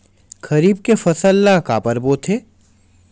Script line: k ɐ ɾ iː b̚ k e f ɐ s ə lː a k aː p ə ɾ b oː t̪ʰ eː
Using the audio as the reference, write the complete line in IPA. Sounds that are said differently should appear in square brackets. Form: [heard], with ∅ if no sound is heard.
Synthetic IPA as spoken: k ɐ ɾ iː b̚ k e f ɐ s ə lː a k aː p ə ɾ b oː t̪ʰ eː